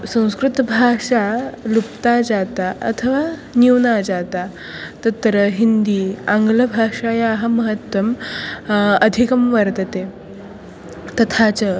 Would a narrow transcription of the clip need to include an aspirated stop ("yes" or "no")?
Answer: yes